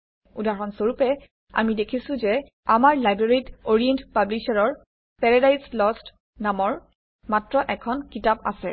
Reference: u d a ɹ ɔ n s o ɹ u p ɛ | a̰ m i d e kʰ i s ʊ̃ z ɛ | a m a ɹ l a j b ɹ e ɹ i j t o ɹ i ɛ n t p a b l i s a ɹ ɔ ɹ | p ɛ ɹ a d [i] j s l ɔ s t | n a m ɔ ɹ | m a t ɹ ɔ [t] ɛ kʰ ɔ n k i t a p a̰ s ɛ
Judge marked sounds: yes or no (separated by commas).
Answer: no, no